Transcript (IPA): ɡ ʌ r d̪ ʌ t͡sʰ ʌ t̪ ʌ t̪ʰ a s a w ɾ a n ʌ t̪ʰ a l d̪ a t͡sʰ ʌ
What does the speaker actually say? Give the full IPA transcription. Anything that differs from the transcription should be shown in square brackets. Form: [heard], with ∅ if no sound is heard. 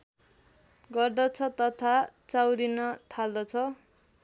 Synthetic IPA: ɡ ʌ r d̪ ʌ t͡sʰ ʌ t̪ ʌ t̪ʰ a [t͡s] a w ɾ [i] n ʌ t̪ʰ a l d̪ [ʌ] t͡sʰ ʌ